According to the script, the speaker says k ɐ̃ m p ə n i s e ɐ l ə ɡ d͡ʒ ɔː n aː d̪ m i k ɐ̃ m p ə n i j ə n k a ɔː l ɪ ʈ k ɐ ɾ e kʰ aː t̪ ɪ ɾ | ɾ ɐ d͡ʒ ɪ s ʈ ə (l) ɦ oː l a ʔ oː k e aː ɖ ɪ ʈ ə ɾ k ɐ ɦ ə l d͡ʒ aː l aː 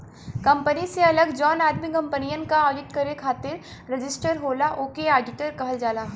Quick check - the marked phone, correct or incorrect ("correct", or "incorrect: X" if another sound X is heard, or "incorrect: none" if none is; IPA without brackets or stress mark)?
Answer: incorrect: ɾ